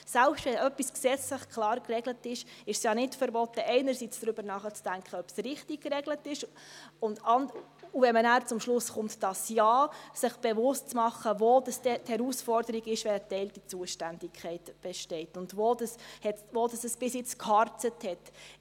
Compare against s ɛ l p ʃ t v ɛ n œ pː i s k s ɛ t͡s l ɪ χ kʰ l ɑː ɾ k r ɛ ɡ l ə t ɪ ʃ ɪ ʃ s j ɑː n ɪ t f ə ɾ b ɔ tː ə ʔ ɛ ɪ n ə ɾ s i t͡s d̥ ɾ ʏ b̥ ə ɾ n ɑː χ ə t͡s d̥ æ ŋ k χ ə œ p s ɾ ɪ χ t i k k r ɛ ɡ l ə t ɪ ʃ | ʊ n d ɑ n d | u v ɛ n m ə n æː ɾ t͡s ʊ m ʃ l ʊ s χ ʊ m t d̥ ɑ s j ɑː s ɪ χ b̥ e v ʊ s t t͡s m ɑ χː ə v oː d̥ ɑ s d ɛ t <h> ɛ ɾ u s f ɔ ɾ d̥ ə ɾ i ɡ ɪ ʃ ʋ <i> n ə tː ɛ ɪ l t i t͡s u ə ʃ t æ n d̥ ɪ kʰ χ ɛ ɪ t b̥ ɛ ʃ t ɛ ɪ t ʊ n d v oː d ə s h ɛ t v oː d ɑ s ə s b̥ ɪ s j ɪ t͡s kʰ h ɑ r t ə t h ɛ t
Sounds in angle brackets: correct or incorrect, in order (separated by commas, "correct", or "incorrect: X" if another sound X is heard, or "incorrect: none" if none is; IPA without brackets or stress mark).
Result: correct, incorrect: ɛ